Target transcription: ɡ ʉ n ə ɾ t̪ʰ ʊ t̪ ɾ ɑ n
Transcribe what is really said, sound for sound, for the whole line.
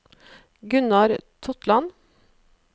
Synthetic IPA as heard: ɡ ʉ n ɑ ɾ t̪ʰ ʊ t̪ l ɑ n